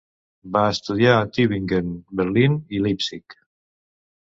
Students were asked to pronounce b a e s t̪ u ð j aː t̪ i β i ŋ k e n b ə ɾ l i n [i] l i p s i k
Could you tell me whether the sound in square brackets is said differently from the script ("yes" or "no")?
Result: no